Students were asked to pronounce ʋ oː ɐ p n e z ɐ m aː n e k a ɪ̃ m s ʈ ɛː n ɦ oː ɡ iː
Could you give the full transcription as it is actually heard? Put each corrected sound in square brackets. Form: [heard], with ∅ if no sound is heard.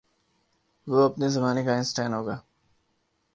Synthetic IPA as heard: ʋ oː ɐ p n e z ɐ m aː n e k a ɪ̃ [n] s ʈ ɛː n ɦ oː ɡ [aː]